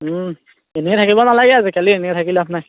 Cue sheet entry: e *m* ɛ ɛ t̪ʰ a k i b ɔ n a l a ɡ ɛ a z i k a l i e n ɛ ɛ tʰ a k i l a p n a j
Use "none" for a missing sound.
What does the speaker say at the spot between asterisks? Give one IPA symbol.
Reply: n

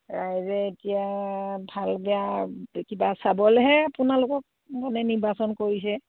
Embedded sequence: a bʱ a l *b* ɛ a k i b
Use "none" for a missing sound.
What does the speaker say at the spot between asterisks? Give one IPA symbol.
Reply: b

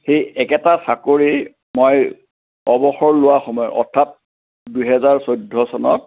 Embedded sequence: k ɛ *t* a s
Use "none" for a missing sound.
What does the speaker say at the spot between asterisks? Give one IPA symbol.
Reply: t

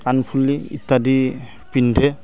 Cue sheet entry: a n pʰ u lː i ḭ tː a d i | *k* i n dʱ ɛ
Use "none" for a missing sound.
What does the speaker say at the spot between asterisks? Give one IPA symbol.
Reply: p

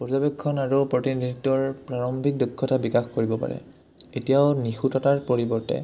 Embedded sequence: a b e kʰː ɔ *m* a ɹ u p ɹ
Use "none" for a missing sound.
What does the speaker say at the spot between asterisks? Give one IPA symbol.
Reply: n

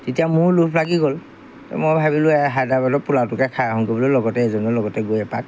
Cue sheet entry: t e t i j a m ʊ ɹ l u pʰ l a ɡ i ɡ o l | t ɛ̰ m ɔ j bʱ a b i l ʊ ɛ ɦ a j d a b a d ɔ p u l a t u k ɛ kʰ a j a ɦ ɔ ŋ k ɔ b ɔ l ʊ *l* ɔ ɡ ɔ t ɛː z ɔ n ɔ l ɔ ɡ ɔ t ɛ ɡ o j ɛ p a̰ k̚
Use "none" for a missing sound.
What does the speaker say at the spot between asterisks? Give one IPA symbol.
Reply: l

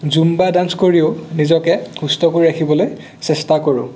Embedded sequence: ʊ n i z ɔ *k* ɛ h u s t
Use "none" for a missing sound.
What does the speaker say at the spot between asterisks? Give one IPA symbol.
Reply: k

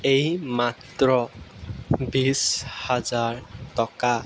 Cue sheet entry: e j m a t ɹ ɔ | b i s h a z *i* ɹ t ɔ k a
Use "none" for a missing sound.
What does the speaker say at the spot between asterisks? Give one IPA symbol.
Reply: a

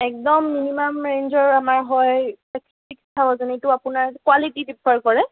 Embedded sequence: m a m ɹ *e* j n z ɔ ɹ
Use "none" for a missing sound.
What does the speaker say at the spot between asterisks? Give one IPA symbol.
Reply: e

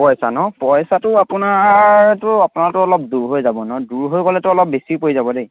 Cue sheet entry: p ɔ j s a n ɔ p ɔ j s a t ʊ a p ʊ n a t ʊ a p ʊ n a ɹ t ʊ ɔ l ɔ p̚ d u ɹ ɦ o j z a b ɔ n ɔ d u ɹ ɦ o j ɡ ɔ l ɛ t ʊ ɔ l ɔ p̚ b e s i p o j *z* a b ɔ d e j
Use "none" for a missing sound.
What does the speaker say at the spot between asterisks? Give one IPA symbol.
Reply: z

